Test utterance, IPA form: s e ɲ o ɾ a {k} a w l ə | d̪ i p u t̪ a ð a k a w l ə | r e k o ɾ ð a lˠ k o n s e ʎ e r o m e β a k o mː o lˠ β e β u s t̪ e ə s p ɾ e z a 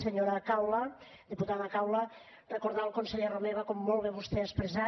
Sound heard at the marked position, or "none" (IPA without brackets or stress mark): k